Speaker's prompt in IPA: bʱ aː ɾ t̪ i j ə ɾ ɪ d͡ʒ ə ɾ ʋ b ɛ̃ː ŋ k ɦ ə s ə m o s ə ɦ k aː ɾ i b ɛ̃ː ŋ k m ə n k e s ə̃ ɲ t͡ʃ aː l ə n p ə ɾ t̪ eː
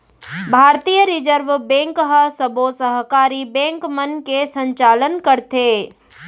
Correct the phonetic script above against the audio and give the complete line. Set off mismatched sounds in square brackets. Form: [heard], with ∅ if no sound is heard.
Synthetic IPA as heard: bʱ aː ɾ t̪ i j ə ɾ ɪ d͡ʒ ə ɾ ʋ b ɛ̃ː ŋ k ɦ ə s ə [b] o s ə ɦ k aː ɾ i b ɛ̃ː ŋ k m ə n k e s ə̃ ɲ t͡ʃ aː l ə n [k] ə ɾ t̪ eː